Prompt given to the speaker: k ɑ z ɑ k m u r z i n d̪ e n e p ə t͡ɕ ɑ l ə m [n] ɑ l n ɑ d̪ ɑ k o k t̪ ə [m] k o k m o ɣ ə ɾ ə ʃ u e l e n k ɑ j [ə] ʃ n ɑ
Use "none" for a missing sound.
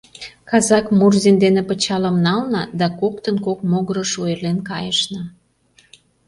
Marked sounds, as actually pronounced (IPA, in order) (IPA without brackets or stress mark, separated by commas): n, n, ə